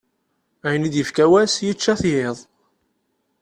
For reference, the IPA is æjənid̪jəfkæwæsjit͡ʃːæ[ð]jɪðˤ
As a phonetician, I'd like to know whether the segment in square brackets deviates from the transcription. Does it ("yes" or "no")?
yes